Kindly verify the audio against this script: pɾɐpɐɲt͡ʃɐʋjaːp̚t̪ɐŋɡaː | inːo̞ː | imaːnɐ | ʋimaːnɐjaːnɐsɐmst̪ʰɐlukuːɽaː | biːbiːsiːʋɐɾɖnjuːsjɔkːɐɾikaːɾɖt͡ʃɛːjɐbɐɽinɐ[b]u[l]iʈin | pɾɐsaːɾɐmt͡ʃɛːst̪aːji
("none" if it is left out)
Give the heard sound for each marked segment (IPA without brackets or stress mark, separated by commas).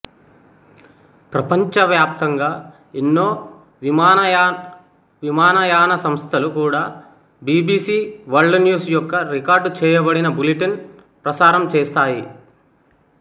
b, l